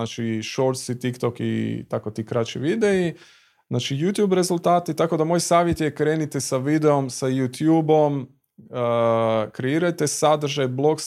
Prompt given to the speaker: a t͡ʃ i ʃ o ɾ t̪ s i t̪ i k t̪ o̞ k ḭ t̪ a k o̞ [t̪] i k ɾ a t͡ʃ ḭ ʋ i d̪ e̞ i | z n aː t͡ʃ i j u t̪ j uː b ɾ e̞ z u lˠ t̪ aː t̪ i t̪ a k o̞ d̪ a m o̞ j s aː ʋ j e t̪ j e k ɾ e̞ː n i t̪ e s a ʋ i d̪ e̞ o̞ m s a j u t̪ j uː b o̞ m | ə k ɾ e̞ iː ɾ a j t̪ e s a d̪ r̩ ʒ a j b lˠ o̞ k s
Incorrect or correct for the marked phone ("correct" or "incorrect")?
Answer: correct